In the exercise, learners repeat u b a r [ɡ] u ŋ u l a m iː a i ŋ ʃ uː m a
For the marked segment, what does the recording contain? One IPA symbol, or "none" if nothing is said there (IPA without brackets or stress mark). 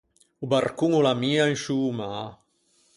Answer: k